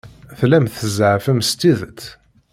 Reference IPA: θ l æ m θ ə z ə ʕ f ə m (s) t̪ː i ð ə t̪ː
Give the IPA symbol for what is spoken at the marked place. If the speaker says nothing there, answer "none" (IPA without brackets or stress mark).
s